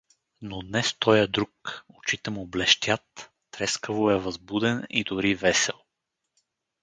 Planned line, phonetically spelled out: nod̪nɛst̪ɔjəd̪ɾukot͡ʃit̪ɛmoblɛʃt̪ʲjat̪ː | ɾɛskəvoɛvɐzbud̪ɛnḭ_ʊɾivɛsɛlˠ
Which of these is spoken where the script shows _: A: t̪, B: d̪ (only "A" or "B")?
B